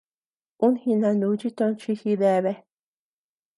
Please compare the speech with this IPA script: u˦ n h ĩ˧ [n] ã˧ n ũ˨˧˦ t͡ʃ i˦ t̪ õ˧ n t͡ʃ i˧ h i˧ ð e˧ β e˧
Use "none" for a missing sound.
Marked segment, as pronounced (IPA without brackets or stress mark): n